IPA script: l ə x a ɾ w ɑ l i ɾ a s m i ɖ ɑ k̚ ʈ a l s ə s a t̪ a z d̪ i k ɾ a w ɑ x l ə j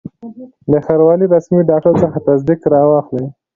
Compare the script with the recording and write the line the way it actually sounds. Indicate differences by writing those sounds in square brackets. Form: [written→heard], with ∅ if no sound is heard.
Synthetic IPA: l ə x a ɾ w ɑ l i ɾ a s m i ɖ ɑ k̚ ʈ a [l→ɾ] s ə [s→x] a t̪ a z d̪ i k ɾ [a→ɑ] w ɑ x l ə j